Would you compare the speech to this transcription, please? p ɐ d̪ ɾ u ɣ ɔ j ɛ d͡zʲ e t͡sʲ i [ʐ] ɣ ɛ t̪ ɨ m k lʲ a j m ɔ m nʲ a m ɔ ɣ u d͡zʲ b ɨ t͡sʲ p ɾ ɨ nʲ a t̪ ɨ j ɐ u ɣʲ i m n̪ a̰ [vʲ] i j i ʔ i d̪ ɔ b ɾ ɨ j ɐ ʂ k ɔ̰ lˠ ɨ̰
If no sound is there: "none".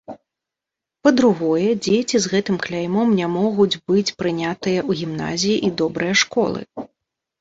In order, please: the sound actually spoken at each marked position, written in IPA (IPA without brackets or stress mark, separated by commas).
z, zʲ